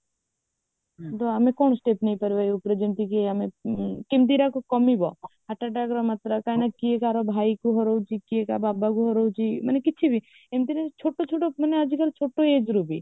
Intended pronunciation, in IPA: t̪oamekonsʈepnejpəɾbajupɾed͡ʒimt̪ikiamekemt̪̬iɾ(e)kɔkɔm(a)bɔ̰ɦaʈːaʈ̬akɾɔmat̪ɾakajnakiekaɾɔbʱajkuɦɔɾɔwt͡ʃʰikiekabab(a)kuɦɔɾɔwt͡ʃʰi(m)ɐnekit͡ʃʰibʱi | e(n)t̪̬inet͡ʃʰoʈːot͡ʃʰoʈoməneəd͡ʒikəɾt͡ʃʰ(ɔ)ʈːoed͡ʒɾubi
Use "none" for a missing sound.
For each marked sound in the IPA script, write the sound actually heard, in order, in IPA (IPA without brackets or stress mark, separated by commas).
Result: a, i, a, m, m, o